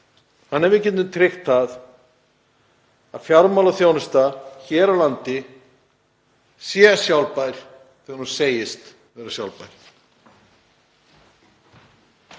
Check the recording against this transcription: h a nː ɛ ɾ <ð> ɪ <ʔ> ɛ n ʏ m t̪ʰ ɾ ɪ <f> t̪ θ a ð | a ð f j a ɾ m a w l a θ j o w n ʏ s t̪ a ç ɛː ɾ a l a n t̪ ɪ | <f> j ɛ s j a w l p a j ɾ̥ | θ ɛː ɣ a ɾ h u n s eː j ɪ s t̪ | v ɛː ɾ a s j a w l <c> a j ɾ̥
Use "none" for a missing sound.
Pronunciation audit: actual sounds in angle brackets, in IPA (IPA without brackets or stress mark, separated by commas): v, c, x, s, p